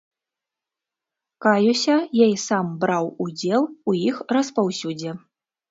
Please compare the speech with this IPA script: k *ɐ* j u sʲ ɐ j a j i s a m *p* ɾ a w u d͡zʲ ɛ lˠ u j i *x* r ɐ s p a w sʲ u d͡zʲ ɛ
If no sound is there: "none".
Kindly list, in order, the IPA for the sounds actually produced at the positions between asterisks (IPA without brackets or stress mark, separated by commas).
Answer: a, b, x